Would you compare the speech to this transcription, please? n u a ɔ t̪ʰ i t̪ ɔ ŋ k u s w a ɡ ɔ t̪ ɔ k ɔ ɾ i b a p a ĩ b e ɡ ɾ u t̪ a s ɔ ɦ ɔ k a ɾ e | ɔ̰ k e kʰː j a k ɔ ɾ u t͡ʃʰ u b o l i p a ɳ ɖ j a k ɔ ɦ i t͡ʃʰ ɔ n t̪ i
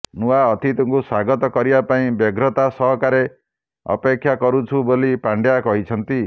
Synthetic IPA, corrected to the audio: n u a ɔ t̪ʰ i t̪ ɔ ŋ k u s w a ɡ ɔ t̪ ɔ k ɔ ɾ i b a p a ĩ b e ɡ ɾ ɔ t̪ a s ɔ ɦ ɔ k a ɾ e | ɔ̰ p e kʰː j a k ɔ ɾ u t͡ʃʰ u b o l i p a ɳ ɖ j a k ɔ ɦ i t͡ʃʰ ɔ n t̪ i